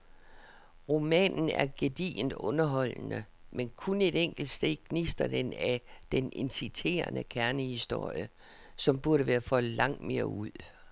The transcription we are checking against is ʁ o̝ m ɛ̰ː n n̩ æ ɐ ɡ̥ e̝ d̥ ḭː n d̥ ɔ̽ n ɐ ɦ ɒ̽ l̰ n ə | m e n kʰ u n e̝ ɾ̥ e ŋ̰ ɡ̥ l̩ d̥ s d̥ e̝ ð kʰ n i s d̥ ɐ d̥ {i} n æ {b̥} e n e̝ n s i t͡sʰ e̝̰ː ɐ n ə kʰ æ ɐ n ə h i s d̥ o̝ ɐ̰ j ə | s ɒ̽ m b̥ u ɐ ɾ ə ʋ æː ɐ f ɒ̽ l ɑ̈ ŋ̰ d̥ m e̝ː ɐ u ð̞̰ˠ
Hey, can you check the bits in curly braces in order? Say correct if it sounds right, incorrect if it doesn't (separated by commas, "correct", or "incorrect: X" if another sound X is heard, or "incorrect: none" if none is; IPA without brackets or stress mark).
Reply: incorrect: e, incorrect: d̥